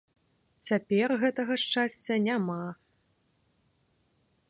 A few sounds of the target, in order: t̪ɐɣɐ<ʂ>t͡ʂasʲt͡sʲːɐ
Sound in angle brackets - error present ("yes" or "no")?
no